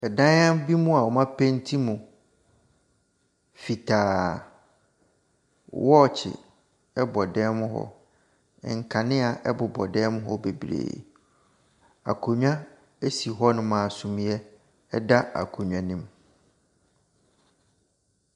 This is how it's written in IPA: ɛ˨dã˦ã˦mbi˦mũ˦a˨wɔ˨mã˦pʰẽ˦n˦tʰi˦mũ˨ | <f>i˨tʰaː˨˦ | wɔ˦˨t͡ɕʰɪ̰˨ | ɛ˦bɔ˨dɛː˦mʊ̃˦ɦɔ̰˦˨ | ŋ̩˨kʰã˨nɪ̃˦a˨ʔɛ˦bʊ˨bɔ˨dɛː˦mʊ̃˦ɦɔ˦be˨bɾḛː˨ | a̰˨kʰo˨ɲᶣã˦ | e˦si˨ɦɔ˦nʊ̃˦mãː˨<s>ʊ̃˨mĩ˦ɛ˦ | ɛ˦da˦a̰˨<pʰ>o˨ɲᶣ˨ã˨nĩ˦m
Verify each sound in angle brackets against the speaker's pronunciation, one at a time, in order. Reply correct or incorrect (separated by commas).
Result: correct, correct, incorrect